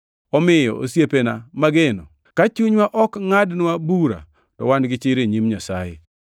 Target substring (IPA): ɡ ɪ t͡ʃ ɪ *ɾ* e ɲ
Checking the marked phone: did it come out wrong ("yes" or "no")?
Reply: no